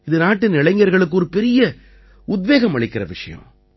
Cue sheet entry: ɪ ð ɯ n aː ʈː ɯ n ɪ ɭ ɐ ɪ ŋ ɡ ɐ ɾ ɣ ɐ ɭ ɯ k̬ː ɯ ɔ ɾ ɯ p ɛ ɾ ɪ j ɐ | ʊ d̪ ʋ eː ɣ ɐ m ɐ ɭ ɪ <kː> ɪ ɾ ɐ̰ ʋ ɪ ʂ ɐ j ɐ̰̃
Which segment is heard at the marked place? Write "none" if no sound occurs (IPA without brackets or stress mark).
kː